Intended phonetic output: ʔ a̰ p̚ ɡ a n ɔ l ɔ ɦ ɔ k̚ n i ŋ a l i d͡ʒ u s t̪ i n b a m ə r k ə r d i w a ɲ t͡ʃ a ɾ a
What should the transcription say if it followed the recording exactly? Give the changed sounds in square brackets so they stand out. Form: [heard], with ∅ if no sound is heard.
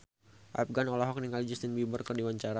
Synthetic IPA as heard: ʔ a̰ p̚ ɡ a n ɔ l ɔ ɦ ɔ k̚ n i ŋ a l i d͡ʒ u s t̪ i n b [i] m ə r k ə r d i w a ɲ t͡ʃ a ɾ a